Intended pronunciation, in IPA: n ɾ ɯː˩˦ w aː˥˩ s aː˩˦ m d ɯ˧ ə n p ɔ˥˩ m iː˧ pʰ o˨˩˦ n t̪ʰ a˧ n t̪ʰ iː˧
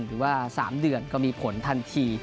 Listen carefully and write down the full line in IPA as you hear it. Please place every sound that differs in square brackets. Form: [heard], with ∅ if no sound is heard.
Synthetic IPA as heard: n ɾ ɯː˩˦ w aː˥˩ s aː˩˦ m d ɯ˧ ə n [k] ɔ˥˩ m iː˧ pʰ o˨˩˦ n t̪ʰ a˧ n t̪ʰ iː˧